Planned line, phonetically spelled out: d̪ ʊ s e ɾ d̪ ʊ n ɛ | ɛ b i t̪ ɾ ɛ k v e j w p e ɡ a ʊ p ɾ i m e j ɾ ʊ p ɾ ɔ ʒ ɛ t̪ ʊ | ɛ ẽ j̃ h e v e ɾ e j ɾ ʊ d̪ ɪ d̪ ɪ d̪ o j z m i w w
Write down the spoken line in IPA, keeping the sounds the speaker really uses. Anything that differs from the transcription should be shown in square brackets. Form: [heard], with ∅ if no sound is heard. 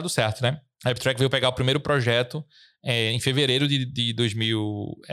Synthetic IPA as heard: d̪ ʊ s [ɛ] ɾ [t̪] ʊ n ɛ | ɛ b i t̪ ɾ ɛ k v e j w p e ɡ a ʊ p ɾ i m e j ɾ ʊ p ɾ ɔ ʒ ɛ t̪ ʊ | ɛ ẽ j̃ [f] e v e ɾ e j ɾ ʊ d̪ ɪ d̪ ɪ d̪ o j z m i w w